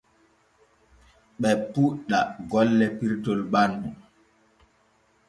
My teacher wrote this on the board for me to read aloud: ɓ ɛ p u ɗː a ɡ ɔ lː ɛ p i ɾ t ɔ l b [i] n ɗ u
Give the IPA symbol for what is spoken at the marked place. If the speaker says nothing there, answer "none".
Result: a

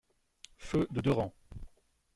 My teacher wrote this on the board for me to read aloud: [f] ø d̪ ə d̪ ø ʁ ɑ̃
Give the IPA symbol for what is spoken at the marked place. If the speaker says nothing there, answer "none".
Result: f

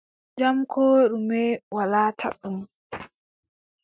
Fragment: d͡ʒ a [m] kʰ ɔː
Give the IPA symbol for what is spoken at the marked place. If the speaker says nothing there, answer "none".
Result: m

